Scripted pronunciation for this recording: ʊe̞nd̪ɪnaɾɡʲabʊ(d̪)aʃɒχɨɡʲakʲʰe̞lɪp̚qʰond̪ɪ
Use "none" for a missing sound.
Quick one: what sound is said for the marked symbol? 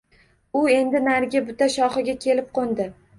t̪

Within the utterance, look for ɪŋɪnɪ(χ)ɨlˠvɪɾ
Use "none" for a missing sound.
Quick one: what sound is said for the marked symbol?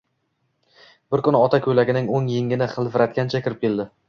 χ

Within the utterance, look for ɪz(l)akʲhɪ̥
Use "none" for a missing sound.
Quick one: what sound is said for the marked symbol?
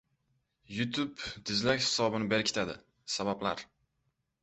l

